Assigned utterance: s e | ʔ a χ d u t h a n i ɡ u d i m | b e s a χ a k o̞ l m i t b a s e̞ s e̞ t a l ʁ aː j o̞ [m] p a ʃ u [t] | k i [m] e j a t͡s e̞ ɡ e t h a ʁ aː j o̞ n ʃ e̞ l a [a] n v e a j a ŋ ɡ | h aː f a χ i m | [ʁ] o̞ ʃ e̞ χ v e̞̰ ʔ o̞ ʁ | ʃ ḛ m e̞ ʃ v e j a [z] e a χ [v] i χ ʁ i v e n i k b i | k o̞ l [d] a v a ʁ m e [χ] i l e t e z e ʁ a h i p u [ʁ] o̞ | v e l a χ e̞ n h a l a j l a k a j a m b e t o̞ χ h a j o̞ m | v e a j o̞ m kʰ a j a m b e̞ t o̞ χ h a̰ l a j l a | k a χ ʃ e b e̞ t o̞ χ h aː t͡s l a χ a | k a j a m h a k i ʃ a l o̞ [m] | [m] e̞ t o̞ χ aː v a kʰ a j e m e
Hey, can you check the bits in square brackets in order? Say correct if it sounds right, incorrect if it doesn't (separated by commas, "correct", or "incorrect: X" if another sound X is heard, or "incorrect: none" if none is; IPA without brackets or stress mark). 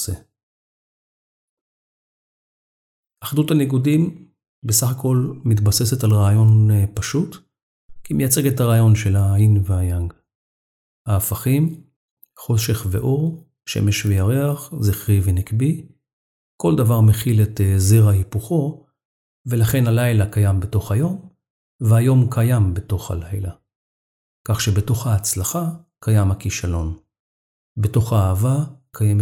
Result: incorrect: n, correct, correct, incorrect: i, incorrect: χ, incorrect: ʁ, incorrect: z, correct, correct, incorrect: χ, incorrect: n, incorrect: b